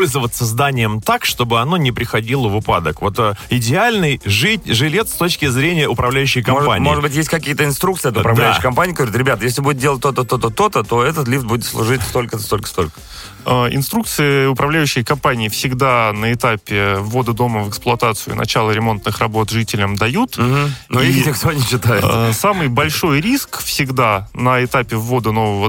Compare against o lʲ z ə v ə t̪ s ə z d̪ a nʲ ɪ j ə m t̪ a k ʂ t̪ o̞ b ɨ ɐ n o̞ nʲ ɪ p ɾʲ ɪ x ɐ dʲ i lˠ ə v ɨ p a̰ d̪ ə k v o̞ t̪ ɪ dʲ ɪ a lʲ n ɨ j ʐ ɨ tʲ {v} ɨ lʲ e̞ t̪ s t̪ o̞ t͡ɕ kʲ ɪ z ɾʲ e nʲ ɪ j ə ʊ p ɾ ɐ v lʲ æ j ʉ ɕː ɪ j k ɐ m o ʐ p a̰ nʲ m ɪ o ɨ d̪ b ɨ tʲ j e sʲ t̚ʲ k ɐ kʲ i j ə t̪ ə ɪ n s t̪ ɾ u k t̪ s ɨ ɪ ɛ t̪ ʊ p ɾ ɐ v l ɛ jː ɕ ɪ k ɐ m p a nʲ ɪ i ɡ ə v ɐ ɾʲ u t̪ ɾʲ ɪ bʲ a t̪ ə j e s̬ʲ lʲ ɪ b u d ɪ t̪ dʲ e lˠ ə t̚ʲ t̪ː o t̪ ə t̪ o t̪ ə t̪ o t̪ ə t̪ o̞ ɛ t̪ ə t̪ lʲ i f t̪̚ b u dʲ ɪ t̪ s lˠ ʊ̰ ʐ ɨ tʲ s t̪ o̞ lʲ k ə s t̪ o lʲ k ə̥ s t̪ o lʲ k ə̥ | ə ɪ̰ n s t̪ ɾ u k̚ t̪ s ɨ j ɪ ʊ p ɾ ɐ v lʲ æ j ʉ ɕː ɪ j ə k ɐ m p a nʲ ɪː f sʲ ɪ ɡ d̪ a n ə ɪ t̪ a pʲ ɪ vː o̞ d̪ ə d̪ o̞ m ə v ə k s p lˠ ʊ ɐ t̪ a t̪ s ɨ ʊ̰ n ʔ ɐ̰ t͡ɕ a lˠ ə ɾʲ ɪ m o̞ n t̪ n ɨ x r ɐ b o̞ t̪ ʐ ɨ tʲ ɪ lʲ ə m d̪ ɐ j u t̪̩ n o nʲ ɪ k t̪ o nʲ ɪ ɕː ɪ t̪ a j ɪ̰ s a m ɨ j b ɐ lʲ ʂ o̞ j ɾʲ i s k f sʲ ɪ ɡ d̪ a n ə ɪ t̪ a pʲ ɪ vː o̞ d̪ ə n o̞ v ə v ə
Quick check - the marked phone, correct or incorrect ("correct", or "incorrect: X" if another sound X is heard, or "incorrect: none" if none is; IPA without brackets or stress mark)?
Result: incorrect: ʐ